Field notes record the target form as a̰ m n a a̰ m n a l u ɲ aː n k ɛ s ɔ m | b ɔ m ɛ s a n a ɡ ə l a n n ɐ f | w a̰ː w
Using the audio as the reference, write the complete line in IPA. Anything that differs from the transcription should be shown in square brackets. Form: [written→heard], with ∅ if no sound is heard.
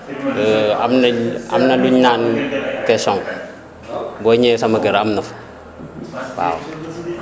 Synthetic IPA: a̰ m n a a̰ m n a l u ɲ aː n k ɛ s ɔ [m→ŋ] | b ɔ [m→ɲ] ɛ s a [n→m] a ɡ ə [l→ɾ] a [n→m] n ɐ f | w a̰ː w